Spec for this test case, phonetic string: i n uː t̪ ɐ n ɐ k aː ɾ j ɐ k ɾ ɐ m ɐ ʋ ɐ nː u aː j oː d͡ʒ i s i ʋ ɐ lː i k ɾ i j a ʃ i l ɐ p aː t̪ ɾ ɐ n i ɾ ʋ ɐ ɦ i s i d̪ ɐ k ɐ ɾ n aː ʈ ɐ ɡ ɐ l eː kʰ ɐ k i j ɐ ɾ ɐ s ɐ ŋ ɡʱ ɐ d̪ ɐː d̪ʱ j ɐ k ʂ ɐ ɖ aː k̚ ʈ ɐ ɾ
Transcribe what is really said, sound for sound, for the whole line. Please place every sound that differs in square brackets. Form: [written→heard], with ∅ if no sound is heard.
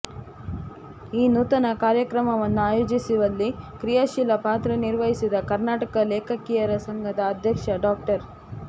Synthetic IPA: [i→iː] n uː t̪ ɐ n ɐ k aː ɾ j ɐ k ɾ ɐ m ɐ ʋ ɐ nː u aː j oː d͡ʒ i s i ʋ ɐ lː i k ɾ i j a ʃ i l ɐ p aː t̪ ɾ ɐ n i ɾ ʋ ɐ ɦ i s i d̪ ɐ k ɐ ɾ n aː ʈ ɐ [ɡ→k] ɐ l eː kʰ ɐ k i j ɐ ɾ ɐ s ɐ ŋ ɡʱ ɐ d̪ ɐː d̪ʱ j ɐ k ʂ ɐ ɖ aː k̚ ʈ ɐ ɾ